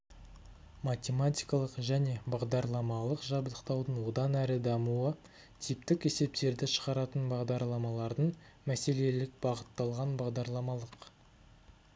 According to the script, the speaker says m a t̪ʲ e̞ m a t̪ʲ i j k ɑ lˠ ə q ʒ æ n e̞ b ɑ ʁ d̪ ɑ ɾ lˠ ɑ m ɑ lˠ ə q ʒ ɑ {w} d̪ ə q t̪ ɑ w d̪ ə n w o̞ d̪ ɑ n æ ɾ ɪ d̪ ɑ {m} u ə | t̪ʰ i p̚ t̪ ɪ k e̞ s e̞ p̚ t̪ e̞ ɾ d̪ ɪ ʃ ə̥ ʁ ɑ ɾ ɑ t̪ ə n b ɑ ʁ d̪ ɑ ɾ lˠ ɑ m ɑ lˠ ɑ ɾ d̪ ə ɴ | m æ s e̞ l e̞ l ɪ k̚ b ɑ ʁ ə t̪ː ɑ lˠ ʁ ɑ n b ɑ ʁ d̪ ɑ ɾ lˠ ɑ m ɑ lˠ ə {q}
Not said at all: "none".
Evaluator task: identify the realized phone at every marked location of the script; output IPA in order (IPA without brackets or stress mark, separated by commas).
b, m, q